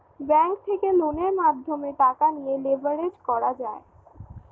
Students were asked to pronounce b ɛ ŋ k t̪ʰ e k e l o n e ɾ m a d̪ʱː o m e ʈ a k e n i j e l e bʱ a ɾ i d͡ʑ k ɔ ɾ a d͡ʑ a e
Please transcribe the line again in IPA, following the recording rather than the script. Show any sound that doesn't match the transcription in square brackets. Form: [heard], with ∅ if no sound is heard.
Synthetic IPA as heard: b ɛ ŋ k t̪ʰ e k e l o n e ɾ m a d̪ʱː o m e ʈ a k [a] n i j e l e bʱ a ɾ [e] d͡ʑ k ɔ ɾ a d͡ʑ a e